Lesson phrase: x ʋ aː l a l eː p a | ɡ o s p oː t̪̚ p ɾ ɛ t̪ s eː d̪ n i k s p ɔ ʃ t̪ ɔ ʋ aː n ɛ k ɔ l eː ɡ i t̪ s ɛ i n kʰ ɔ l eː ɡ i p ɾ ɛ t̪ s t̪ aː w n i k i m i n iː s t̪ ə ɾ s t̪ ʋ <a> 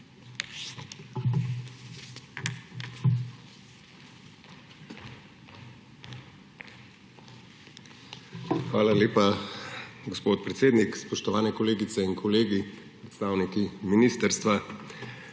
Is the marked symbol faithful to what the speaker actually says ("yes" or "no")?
yes